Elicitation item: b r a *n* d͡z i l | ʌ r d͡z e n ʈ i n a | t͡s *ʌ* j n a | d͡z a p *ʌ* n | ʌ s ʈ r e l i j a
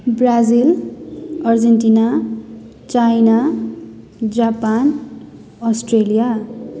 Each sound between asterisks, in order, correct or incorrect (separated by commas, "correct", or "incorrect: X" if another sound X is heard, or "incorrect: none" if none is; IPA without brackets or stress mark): incorrect: none, incorrect: a, incorrect: a